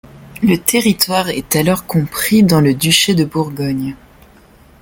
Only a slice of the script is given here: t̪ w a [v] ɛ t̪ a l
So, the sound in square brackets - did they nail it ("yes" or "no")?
no